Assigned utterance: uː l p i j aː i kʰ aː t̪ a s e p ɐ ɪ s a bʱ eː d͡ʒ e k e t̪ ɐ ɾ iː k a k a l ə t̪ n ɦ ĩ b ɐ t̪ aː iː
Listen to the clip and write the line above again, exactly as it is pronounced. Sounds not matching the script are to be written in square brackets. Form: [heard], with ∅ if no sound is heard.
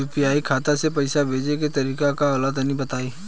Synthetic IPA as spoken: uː [∅] p i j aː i kʰ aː t̪ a s e p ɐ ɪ s a bʱ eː d͡ʒ e k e t̪ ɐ ɾ iː k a k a l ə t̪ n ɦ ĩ b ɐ t̪ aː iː